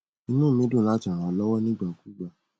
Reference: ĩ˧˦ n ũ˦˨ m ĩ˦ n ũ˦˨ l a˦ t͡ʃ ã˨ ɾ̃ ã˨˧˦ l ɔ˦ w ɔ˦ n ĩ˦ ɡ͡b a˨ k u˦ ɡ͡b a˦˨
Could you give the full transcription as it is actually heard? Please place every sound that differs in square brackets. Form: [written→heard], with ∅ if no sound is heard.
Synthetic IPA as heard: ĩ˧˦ n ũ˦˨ m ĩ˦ [n→d] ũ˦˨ l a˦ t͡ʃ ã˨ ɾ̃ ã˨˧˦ l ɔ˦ w ɔ˦ n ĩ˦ ɡ͡b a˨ k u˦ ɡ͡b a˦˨